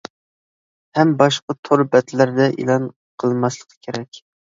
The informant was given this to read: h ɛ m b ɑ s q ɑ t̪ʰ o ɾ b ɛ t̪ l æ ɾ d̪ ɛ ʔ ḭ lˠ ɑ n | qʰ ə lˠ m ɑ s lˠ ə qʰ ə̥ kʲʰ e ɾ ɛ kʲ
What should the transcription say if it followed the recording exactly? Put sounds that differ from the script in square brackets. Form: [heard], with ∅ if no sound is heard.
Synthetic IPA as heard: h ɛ m b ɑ [ʃ] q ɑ t̪ʰ o ɾ b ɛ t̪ l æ ɾ d̪ ɛ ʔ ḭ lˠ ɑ n | qʰ ə lˠ m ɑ s lˠ ə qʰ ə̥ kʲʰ e ɾ ɛ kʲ